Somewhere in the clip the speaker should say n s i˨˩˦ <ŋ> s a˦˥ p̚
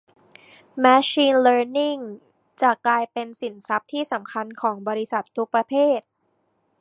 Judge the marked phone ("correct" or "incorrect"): incorrect